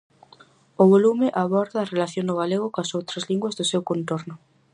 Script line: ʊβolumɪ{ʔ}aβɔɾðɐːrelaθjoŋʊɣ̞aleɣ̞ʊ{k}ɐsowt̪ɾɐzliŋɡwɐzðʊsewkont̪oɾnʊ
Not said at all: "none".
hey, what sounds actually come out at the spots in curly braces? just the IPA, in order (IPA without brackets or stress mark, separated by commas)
ʔ, k